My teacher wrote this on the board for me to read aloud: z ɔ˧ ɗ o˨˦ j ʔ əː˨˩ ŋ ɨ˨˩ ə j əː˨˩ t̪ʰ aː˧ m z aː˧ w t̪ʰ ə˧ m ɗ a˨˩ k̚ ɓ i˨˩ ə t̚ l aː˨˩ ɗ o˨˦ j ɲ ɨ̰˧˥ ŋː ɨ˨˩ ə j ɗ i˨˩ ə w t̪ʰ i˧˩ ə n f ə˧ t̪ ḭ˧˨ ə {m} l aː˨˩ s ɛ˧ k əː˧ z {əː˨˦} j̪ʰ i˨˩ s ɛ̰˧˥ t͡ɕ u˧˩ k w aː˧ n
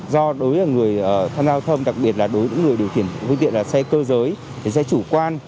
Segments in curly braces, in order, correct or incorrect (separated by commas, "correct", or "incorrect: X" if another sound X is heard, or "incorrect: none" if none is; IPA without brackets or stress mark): incorrect: n, correct